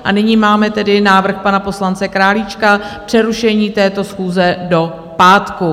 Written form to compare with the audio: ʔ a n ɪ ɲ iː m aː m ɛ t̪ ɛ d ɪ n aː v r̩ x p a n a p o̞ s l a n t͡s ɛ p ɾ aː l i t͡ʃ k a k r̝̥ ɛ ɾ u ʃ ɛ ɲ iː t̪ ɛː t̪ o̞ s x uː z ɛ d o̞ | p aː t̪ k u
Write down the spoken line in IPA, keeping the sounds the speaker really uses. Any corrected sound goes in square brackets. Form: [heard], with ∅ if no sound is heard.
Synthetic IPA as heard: ʔ a n ɪ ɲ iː m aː m ɛ t̪ ɛ d ɪ n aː v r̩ x p a n a p o̞ s l a n t͡s ɛ [k] ɾ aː l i t͡ʃ k a [p] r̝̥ ɛ ɾ u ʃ ɛ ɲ iː t̪ ɛː t̪ o̞ s x uː z ɛ d o̞ | p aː t̪ k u

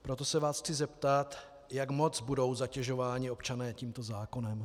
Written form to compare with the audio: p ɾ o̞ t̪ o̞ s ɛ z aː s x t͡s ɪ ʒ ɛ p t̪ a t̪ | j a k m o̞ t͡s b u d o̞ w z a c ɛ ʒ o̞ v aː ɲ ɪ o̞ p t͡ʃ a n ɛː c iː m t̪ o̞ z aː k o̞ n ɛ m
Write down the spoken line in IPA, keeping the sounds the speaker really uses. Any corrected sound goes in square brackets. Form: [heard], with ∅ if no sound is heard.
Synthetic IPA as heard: p ɾ o̞ t̪ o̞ s ɛ [v] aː s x t͡s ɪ [z] ɛ p t̪ a t̪ | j a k m o̞ t͡s b u d o̞ w z a c ɛ ʒ o̞ v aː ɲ ɪ o̞ p t͡ʃ a n ɛː c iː m t̪ o̞ z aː k o̞ n ɛ m

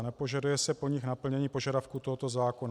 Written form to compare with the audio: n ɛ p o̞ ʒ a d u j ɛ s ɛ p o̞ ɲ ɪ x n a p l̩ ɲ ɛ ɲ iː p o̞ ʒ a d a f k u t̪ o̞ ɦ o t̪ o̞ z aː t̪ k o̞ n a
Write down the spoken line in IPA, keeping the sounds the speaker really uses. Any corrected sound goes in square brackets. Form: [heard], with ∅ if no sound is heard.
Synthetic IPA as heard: n ɛ p o̞ ʒ a d u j ɛ s ɛ p o̞ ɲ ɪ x n a p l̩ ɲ ɛ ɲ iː p o̞ ʒ a d a f k u t̪ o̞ ɦ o t̪ o̞ z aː [∅] k o̞ n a

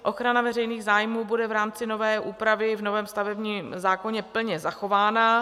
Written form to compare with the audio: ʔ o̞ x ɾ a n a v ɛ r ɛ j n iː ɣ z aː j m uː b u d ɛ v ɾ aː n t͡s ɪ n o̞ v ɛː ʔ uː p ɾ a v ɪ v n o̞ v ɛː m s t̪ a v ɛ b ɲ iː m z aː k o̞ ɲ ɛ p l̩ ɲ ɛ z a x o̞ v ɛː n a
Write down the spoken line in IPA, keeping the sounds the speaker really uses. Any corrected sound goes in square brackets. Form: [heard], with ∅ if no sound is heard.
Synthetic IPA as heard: ʔ o̞ x ɾ a n a v ɛ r ɛ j n iː ɣ z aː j m uː b u d ɛ v ɾ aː [m] t͡s ɪ n o̞ v ɛː ʔ uː p ɾ a v ɪ v n o̞ v ɛː m s t̪ a v ɛ b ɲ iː m z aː k o̞ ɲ ɛ p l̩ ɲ ɛ z a x o̞ v [aː] n a

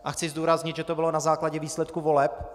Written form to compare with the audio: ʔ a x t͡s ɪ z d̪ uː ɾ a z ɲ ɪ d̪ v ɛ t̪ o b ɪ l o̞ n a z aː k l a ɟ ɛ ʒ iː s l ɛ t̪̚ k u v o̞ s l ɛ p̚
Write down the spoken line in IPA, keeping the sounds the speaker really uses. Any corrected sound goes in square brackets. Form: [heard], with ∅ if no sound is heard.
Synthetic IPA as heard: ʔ a x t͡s ɪ z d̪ uː ɾ a z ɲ ɪ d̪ [ʒ] ɛ t̪ o b ɪ l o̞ n a z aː k l a ɟ ɛ [v] iː s l ɛ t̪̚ k u v o̞ [∅] l ɛ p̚

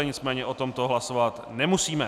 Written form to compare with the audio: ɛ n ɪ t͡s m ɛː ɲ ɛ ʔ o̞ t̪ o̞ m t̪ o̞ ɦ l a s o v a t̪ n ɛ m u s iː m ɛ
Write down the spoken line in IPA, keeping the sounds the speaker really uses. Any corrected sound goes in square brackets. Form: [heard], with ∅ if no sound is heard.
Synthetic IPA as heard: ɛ [ɲ] ɪ t͡s m ɛː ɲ ɛ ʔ o̞ t̪ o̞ m t̪ o̞ ɦ l a s o v a t̪ n ɛ m u s iː m ɛ

